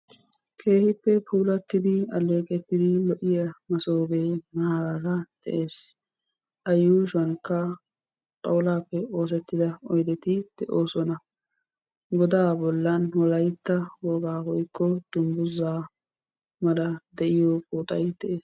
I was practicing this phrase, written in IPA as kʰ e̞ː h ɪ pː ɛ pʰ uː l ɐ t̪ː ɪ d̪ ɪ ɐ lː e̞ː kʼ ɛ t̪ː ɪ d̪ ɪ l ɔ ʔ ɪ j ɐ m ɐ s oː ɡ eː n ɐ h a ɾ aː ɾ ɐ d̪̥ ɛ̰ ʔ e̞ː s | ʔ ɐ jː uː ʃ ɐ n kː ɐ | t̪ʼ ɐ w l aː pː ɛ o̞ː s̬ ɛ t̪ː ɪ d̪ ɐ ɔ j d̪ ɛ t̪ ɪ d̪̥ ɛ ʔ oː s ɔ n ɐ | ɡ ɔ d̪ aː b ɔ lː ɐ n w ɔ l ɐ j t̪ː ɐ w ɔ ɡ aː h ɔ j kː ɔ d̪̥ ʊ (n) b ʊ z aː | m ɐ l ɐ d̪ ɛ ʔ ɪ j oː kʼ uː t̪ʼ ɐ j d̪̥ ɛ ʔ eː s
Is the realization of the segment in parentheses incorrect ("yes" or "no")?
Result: yes